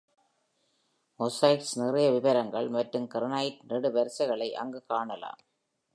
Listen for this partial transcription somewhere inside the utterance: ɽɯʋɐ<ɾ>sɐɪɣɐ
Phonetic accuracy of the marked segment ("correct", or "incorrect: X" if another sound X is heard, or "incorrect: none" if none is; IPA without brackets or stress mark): correct